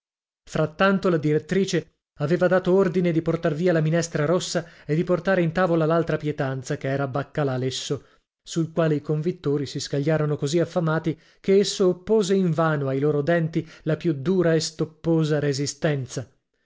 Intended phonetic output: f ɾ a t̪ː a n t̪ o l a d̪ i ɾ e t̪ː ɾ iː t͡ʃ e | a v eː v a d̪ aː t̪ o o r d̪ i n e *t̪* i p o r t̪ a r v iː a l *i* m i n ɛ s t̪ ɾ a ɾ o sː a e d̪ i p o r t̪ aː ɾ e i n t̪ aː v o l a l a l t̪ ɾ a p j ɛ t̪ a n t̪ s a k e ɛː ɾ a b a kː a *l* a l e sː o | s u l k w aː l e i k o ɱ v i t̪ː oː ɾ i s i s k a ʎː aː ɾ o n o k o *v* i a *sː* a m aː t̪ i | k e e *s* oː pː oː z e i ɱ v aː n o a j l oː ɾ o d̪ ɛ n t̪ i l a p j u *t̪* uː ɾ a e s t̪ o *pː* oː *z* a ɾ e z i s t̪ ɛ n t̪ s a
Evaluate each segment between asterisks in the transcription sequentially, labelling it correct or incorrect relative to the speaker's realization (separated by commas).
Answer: incorrect, incorrect, correct, incorrect, incorrect, incorrect, incorrect, correct, correct